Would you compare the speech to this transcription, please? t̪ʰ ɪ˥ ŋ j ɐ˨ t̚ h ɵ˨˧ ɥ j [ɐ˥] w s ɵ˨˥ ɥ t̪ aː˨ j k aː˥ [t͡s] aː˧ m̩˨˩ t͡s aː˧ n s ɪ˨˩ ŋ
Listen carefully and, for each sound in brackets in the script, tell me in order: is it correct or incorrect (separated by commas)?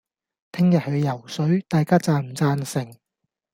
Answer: incorrect, correct